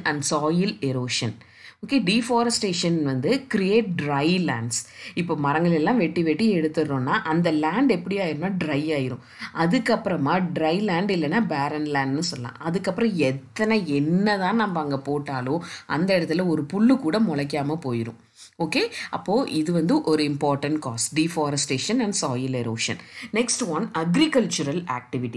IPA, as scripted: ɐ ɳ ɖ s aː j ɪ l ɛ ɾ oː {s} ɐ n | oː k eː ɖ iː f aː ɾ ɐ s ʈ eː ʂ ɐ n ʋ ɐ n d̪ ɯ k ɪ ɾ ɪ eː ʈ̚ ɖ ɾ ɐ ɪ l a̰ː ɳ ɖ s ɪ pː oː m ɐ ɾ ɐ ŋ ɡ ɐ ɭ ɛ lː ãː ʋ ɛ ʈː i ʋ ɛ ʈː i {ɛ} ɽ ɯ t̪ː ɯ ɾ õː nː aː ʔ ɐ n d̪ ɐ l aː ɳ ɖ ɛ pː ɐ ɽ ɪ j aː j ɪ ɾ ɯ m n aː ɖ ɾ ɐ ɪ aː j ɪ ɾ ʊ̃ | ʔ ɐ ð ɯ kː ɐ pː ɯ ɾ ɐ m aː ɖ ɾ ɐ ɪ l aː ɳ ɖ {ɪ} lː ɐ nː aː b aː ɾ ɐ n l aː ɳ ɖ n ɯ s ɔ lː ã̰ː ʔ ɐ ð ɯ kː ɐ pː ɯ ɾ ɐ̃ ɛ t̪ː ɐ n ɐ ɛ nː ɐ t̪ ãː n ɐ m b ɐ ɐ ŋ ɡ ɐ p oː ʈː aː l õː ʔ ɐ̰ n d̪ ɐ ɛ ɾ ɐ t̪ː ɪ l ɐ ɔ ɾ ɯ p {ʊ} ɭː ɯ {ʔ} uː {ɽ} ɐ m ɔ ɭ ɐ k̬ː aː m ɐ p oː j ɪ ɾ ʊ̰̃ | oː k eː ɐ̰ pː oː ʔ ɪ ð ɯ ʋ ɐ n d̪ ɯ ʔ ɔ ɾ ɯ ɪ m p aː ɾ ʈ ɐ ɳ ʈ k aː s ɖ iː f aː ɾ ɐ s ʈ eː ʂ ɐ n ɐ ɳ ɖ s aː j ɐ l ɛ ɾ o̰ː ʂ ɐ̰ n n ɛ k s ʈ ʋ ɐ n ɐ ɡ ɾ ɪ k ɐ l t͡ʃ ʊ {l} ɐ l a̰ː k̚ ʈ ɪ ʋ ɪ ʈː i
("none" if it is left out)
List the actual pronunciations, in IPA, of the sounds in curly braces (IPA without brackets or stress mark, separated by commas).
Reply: ʂ, ɛ, ɪ, ʊ, k, ɽ, ɾ